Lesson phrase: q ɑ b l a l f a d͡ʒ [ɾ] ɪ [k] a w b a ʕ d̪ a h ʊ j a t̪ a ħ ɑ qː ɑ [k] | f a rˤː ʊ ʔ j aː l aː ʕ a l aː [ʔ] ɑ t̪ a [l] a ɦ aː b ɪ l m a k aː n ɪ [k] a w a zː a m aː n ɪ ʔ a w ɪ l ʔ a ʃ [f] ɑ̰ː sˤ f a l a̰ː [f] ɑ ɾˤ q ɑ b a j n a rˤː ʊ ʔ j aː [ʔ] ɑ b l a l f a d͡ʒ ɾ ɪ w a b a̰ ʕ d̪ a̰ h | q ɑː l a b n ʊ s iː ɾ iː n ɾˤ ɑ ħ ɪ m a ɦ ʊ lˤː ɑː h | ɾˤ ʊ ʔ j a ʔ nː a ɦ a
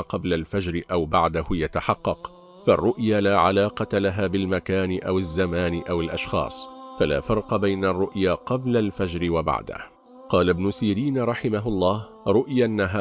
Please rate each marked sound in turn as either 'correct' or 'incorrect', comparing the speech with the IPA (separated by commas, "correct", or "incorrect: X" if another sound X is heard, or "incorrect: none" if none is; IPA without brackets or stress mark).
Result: correct, incorrect: ʔ, incorrect: q, incorrect: q, correct, incorrect: ʔ, incorrect: x, correct, incorrect: q